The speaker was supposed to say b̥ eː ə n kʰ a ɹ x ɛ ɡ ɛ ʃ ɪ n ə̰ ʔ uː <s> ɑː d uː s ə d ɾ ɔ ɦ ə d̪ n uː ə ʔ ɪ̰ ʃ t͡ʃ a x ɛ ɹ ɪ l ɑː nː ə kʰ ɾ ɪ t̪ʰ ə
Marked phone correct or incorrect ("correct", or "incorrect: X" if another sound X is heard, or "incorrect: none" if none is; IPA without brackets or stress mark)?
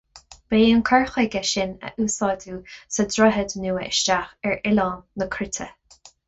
correct